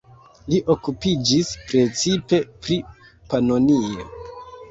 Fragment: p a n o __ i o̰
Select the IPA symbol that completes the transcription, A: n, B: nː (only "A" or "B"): A